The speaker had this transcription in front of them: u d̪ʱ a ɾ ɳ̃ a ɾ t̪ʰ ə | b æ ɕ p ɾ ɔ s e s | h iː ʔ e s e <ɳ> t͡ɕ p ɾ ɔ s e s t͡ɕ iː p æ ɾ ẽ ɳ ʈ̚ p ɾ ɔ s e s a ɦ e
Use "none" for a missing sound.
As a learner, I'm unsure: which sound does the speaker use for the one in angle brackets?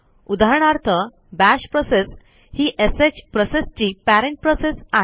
none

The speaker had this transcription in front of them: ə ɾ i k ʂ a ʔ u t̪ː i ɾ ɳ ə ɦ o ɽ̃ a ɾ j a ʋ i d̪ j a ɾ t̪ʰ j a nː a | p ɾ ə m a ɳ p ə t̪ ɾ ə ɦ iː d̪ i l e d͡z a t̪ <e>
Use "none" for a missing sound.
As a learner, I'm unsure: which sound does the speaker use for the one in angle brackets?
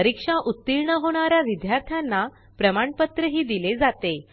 e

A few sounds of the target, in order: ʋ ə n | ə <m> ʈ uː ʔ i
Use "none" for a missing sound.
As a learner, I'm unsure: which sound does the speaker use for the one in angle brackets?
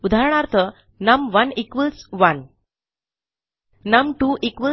m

